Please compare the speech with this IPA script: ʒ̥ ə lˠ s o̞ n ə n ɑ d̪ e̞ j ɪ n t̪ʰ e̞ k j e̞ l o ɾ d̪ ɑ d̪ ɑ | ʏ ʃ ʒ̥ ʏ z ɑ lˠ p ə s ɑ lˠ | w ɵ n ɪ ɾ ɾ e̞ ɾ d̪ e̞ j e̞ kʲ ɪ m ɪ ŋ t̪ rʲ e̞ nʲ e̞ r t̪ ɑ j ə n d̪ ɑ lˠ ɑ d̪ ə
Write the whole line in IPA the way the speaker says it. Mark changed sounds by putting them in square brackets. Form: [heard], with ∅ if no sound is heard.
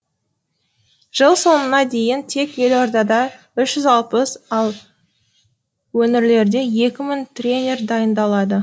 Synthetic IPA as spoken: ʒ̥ ə lˠ s o̞ n ə n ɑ d̪ e̞ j ɪ n t̪ʰ e̞ k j e̞ l o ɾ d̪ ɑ d̪ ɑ | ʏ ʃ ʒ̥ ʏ z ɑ lˠ p ə s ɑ lˠ | w ɵ n ɪ ɾ [l] e̞ ɾ d̪ e̞ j e̞ kʲ ɪ m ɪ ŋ t̪ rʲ e̞ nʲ e̞ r [d̪] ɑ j ə n d̪ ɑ lˠ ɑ d̪ ə